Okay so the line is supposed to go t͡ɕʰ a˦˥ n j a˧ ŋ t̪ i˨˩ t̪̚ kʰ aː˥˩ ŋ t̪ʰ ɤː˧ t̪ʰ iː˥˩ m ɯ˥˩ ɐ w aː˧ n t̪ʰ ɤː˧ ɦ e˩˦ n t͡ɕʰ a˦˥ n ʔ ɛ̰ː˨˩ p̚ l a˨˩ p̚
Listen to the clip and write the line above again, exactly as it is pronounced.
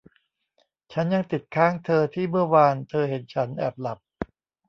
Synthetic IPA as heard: t͡ɕʰ a˦˥ n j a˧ ŋ t̪ i˨˩ t̪̚ kʰ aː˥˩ ŋ t̪ʰ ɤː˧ t̪ʰ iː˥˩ m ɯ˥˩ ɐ w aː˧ n t̪ʰ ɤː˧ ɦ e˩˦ n t͡ɕʰ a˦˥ n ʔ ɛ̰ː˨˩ p̚ l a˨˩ p̚